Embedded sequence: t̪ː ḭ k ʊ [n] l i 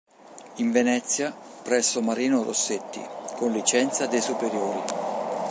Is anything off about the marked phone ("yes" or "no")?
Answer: no